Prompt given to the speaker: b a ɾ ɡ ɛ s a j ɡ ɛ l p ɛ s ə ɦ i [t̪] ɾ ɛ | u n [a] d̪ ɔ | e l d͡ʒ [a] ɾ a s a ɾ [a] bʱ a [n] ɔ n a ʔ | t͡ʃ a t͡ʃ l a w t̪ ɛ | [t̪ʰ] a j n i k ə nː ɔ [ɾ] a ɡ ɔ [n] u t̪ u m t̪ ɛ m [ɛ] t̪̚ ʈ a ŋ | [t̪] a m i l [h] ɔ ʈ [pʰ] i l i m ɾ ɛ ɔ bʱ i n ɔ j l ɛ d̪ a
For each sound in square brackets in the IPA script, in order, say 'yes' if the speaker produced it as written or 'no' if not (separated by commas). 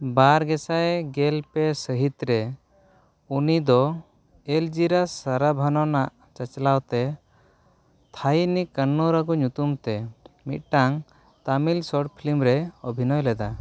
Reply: yes, no, no, yes, yes, yes, yes, no, no, yes, no, yes